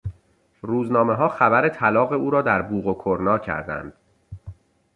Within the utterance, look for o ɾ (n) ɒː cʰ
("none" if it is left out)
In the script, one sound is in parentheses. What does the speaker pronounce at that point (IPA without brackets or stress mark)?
n